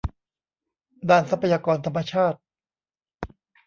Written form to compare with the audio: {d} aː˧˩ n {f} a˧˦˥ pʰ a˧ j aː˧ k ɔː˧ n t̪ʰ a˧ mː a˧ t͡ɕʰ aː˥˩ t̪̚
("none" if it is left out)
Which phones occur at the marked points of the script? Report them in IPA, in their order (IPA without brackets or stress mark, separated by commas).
d, s